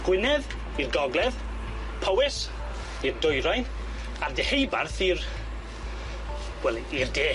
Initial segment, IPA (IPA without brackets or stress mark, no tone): ɡ̥